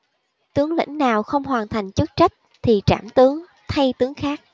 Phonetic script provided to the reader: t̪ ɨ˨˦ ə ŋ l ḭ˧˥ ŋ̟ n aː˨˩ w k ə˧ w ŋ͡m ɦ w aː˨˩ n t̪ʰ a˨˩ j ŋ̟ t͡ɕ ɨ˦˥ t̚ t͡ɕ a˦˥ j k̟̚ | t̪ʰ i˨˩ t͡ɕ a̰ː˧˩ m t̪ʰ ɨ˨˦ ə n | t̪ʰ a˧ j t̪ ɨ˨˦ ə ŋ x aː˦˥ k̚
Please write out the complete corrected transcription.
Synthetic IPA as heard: t̪ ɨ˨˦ ə ŋ l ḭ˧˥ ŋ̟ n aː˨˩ w x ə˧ w ŋ͡m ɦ w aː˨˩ n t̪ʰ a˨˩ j ŋ̟ t͡ɕ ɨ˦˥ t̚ t͡ɕ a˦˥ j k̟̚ | t̪ʰ i˨˩ t͡ɕ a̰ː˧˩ m t̪ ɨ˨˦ ə ŋ | t̪ʰ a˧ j t̪ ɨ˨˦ ə ŋ x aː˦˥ k̚

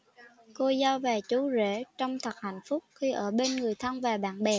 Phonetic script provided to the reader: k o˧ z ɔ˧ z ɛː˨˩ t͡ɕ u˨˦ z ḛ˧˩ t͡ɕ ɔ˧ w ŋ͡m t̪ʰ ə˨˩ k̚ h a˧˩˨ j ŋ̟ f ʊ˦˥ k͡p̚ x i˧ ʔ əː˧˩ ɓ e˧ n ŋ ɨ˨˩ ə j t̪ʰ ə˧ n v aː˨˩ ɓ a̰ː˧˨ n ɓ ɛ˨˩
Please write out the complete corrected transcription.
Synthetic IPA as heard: k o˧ z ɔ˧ v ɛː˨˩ t͡ɕ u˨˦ z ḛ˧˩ t͡ɕ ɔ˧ w ŋ͡m t̪ʰ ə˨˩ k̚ h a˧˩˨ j ŋ̟ f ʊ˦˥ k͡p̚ x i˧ ʔ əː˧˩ ɓ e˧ n ŋ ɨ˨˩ ə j t̪ʰ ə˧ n v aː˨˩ ɓ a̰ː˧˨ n ɓ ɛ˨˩

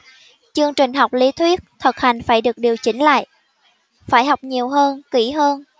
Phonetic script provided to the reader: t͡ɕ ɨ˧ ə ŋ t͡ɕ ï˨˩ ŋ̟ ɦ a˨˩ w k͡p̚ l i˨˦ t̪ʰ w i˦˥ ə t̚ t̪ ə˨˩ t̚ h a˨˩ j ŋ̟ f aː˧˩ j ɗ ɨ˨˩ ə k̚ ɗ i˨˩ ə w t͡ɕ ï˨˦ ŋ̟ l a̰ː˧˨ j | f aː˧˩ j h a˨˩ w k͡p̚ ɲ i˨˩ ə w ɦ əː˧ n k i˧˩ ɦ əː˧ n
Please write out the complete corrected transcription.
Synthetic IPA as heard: t͡ɕ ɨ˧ ə ŋ t͡ɕ ï˨˩ ŋ̟ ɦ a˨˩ w k͡p̚ l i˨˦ t̪ʰ w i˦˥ ə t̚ t̪ʰ ə˨˩ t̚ h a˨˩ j ŋ̟ f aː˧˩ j ɗ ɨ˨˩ ə k̚ ɗ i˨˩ ə w t͡ɕ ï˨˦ ŋ̟ l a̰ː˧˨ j | f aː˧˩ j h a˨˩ w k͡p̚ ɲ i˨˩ ə w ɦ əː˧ n k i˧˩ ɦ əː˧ n

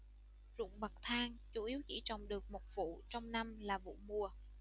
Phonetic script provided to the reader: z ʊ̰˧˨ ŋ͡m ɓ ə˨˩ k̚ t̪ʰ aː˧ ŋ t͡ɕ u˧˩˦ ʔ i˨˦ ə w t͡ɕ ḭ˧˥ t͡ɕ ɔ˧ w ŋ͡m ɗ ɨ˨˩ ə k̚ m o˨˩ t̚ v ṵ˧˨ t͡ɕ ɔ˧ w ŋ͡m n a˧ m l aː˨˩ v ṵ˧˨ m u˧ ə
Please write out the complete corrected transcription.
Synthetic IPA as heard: z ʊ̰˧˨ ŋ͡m ɓ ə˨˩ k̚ t̪ʰ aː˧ ŋ t͡ɕ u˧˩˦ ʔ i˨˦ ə w t͡ɕ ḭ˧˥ t͡ɕ ɔ˨˩ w ŋ͡m ɗ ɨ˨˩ ə k̚ m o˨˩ t̚ v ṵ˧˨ t͡ɕ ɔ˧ w ŋ͡m n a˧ m l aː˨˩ v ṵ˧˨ m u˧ ə

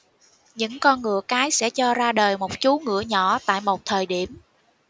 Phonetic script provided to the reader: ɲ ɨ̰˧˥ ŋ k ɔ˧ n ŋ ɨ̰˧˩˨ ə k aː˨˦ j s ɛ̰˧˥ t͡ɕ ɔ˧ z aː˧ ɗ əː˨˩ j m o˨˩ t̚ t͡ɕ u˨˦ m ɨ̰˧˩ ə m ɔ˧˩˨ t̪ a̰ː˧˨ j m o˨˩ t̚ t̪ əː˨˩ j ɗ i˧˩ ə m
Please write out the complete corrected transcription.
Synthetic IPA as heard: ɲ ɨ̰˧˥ ŋ k ɔ˧ n ŋ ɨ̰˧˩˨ ə k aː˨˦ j s ɛ̰˧˥ t͡ɕ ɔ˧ z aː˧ ɗ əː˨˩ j m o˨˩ t̚ t͡ɕ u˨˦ ŋ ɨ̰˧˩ ə ɲ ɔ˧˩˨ t̪ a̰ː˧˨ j m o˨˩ t̚ t̪ʰ əː˨˩ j ɗ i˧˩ ə m

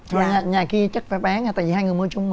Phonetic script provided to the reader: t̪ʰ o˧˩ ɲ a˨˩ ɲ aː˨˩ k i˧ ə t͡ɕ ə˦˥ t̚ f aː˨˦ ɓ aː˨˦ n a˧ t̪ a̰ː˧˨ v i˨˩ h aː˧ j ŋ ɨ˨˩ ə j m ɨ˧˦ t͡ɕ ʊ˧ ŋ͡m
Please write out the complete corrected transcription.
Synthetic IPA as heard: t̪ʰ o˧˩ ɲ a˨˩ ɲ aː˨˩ k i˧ ə t͡ɕ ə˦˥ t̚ f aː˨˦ ɓ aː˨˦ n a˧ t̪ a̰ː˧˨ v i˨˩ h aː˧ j ŋ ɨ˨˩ ə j m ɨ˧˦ t͡ɕ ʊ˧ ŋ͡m

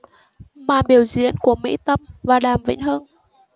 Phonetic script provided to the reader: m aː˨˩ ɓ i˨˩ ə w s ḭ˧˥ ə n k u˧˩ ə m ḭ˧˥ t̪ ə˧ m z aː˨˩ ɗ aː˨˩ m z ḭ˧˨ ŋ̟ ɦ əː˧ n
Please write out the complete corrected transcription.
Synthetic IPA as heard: m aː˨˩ ɓ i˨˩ ə w z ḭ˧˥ ə n k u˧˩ ə m ḭ˧˥ t̪ ə˧ m v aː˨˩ ɗ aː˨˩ m v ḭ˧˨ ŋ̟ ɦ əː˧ n

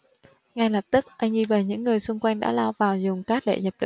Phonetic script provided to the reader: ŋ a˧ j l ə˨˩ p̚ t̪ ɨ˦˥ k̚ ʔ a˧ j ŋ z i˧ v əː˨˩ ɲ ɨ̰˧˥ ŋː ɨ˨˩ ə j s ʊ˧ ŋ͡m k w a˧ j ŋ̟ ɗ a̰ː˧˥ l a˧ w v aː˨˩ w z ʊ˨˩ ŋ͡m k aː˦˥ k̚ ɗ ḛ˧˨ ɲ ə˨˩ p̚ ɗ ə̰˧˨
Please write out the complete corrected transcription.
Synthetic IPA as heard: ŋ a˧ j l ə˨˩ p̚ t̪ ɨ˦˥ k̚ ʔ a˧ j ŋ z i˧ v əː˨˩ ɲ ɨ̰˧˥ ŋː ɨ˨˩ ə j s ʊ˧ ŋ͡m k w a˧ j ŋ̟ ɗ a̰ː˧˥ l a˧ w v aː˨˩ w z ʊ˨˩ ŋ͡m k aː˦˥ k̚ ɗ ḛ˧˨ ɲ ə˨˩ p̚ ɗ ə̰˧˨

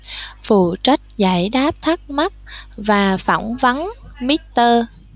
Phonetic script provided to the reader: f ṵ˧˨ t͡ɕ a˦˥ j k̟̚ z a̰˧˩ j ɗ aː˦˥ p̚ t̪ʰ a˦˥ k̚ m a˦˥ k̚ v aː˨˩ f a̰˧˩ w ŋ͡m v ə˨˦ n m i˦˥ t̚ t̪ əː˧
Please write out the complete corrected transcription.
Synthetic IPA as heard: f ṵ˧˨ t͡ɕ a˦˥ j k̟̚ z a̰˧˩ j ɗ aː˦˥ p̚ t̪ʰ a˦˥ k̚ m a˦˥ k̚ v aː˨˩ f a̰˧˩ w ŋ͡m v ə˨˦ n m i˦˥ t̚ t̪ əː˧

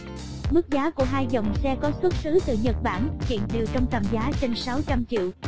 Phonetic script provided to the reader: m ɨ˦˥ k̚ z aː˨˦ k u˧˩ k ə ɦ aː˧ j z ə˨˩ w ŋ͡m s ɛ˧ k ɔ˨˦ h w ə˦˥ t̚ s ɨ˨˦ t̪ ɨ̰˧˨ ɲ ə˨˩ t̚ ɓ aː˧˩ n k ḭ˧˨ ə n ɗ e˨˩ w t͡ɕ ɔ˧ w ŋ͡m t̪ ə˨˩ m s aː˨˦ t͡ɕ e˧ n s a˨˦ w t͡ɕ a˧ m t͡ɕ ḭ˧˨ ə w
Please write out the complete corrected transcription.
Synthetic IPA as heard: m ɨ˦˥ k̚ z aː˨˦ k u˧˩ ə ɦ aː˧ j z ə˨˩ w ŋ͡m s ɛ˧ k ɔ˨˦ s w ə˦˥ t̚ s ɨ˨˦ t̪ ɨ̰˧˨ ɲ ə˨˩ t̚ ɓ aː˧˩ n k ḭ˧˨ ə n ɗ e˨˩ w t͡ɕ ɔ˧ w ŋ͡m t̪ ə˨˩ m z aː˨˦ t͡ɕ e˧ n s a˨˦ w t͡ɕ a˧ m t͡ɕ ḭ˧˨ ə w

